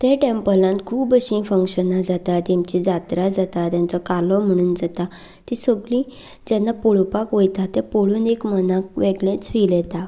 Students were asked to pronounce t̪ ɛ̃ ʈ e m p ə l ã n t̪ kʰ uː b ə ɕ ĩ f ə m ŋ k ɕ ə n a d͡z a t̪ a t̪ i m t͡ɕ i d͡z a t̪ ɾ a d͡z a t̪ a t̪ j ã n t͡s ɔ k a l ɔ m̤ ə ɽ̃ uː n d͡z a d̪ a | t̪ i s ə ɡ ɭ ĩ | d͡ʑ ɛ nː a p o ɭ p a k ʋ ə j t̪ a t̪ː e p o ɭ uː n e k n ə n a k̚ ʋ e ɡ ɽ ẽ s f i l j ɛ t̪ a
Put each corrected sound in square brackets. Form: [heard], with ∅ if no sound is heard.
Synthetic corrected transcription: t̪ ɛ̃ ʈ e m p ə l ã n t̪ kʰ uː b ə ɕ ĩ f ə [∅] ŋ k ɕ ə n a d͡z a t̪ a t̪ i m t͡ɕ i d͡z a t̪ ɾ a d͡z a t̪ a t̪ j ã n t͡s ɔ k a l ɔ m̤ ə ɽ̃ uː n d͡z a [t̪] a | t̪ i s ə ɡ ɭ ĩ | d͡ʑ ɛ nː a p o ɭ p a k ʋ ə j t̪ a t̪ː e p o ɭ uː n e k [m] ə n a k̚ ʋ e ɡ [ɭ] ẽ [t͡s] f i l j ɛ t̪ a

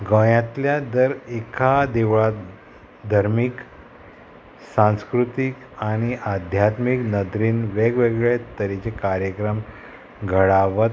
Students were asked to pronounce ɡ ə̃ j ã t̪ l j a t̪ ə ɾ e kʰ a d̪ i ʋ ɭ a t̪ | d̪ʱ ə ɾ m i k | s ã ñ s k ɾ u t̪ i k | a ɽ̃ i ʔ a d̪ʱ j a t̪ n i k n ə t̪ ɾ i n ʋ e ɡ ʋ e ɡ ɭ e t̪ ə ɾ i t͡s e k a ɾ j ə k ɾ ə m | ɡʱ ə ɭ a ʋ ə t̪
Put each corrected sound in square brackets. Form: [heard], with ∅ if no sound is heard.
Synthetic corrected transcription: ɡ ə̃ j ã t̪ l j a [d̪] ə ɾ e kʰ a d̪ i ʋ ɭ a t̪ | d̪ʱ ə ɾ m i k | s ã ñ s k ɾ u t̪ i k | a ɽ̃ i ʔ a d̪ʱ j a t̪ [m] i k n ə [d̪] ɾ i n ʋ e ɡ ʋ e ɡ ɭ e t̪ ə ɾ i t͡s e k a ɾ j ə k ɾ ə m | ɡʱ ə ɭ a ʋ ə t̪

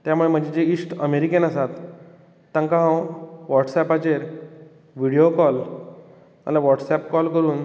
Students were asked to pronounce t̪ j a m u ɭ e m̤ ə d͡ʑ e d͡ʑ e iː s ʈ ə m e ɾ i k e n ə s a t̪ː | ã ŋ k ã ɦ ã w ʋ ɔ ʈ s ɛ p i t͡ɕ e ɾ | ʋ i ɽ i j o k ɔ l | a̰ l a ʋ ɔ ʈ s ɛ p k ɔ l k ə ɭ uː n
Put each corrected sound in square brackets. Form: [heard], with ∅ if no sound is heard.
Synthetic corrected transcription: t̪ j a m u ɭ e m̤ ə d͡ʑ e d͡ʑ e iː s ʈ ə m e ɾ i k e n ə s a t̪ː | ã ŋ k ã ɦ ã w ʋ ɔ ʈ s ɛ p [a] t͡ɕ e ɾ | ʋ i ɽ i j o k ɔ l | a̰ l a ʋ ɔ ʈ s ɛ p k ɔ l k ə [ɾ] uː n

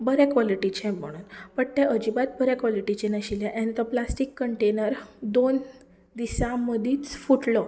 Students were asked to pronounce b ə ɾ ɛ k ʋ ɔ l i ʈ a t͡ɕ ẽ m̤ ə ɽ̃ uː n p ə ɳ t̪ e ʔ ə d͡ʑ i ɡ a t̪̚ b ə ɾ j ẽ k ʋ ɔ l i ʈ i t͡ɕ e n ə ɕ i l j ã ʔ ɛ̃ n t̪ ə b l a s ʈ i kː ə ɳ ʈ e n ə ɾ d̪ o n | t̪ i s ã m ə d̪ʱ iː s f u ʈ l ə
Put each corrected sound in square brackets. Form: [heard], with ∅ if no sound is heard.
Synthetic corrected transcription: b ə ɾ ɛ k ʋ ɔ l i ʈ [i] t͡ɕ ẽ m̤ ə ɽ̃ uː n p ə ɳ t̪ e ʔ ə d͡ʑ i [b] a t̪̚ b ə ɾ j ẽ k ʋ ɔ l i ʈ i t͡ɕ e n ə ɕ i l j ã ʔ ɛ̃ n t̪ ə [p] l a s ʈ i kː ə ɳ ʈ e n ə ɾ d̪ o n | [d̪] i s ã m ə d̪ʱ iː [t͡s] f u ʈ l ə

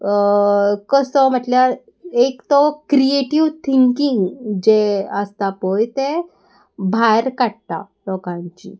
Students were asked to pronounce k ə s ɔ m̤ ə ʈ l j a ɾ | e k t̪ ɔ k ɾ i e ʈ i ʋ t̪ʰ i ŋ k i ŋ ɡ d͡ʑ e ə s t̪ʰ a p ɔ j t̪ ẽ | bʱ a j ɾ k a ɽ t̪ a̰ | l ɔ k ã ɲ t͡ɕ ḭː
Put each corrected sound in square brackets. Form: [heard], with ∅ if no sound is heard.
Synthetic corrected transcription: k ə s ɔ m̤ ə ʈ l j a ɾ | e k t̪ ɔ k ɾ i e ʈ i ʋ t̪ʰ i ŋ k i ŋ ɡ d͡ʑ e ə s [t̪] a p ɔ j t̪ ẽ | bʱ a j ɾ k a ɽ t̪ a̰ | l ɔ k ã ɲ t͡ɕ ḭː

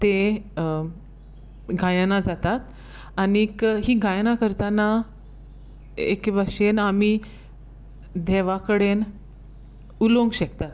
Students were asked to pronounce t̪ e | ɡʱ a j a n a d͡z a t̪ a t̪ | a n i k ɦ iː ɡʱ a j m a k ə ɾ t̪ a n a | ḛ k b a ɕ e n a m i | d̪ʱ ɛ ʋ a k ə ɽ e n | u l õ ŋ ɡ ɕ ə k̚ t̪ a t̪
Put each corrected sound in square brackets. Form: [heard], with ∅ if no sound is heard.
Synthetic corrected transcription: t̪ e | ɡʱ a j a n a d͡z a t̪ a t̪ | a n i k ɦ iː ɡʱ a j [n] a k ə ɾ t̪ a n a | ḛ k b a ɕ e n a m i | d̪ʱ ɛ ʋ a k ə ɽ e n | u l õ ŋ ɡ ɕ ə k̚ t̪ a t̪

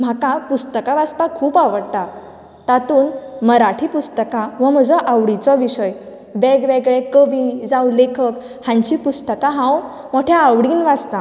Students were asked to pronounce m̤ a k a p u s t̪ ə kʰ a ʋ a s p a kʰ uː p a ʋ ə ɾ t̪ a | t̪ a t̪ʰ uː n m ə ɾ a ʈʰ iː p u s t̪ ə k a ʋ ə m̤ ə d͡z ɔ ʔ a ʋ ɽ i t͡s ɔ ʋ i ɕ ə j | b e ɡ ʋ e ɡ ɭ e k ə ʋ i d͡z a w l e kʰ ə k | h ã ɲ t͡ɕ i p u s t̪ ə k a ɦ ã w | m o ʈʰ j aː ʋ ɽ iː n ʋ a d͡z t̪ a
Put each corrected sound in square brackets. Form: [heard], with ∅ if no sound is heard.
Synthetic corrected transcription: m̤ a k a p u s t̪ ə [k] a ʋ a s p a kʰ uː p a ʋ ə [ɽ] t̪ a | t̪ a [t̪] uː n m ə ɾ a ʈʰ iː p u s t̪ ə k a ʋ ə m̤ ə d͡z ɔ ʔ a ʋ ɽ i t͡s ɔ ʋ i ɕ ə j | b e ɡ ʋ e ɡ ɭ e k ə ʋ i d͡z a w l e kʰ ə k | h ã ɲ t͡ɕ i p u s t̪ ə k a ɦ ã w | m o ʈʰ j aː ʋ ɽ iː n ʋ a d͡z t̪ a

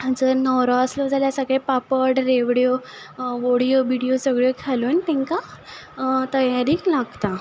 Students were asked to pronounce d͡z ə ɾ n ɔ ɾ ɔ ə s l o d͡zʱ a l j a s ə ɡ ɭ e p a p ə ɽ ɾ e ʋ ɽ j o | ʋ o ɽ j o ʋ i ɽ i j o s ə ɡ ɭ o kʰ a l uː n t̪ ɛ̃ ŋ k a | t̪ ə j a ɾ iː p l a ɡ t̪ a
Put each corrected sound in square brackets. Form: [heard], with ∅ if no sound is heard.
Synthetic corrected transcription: d͡z ə ɾ n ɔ ɾ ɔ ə s l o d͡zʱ a l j a s ə ɡ ɭ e p a p ə ɽ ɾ e ʋ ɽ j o | ʋ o ɽ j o ʋ i ɽ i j o s ə ɡ ɭ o kʰ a l uː n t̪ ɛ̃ ŋ k a | t̪ ə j a ɾ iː [k] l a ɡ t̪ a

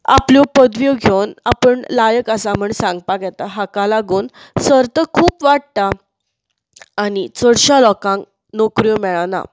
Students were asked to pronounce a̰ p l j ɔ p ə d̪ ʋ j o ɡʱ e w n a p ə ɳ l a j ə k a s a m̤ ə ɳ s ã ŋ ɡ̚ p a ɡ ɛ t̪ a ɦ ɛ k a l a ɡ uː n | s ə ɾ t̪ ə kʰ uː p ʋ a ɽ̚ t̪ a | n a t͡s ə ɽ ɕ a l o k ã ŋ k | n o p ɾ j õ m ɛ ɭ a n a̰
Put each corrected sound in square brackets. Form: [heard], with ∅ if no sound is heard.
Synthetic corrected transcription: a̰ p l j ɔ p ə d̪ ʋ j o ɡʱ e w n a p ə ɳ l a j ə k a s a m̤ ə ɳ s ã ŋ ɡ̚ p a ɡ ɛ t̪ a ɦ [a] k a l a ɡ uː n | s ə ɾ t̪ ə kʰ uː p ʋ a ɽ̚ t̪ a | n [i] t͡s ə ɽ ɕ a l [ɔ] k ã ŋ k | n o [k] ɾ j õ m ɛ ɭ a n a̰

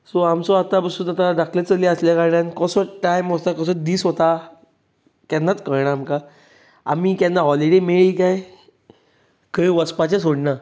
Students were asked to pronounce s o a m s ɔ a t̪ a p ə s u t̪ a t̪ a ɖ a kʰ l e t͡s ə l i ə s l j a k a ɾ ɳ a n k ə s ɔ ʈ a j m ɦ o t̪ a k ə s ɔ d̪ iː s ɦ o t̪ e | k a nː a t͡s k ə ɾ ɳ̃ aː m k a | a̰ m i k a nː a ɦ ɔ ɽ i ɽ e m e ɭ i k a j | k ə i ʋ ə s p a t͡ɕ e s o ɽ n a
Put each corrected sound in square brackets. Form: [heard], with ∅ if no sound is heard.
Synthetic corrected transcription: s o a m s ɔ a t̪ a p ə s u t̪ a t̪ a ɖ a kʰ l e t͡s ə l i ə s l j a k a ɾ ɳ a n k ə s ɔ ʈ a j m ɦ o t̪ a k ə s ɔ d̪ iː s ɦ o t̪ [a] | k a nː a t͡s k ə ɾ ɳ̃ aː m k a | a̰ m i k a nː a ɦ ɔ [l] i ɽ e m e ɭ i k a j | k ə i ʋ ə s p a t͡ɕ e s o ɽ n a

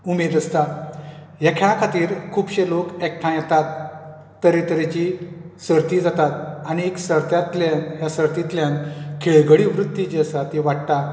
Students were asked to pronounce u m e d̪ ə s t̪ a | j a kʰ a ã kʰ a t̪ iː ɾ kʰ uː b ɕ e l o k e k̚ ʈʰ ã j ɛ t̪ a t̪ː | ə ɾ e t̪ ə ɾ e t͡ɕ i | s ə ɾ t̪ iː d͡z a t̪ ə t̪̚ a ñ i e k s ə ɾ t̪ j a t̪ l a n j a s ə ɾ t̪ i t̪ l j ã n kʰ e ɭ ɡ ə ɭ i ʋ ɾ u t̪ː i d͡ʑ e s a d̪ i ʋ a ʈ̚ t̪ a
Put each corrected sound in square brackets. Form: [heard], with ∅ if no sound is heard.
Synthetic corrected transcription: u m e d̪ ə s t̪ a | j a kʰ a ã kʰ a t̪ iː ɾ kʰ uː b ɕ e l o k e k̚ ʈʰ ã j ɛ t̪ a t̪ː | ə ɾ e t̪ ə ɾ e t͡ɕ i | s ə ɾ t̪ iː d͡z a t̪ [a] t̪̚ a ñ i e k s ə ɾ t̪ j a t̪ l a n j a s ə ɾ t̪ i t̪ l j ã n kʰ e ɭ ɡ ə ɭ i ʋ ɾ u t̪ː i d͡ʑ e s a [t̪] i ʋ a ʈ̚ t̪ a

